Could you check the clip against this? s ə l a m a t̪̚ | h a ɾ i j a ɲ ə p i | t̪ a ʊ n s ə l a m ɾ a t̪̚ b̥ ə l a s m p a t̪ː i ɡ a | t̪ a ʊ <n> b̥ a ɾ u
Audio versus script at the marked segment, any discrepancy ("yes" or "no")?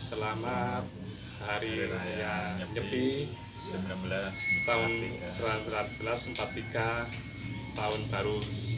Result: no